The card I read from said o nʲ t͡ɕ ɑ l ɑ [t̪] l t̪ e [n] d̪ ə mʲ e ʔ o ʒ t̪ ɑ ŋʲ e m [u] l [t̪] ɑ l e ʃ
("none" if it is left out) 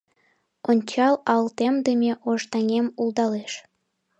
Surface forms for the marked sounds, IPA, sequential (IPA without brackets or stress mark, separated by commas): none, m, u, d̪